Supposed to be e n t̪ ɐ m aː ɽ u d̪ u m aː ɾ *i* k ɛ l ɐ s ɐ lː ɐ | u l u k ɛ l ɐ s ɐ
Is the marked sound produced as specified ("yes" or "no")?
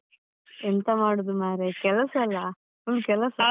no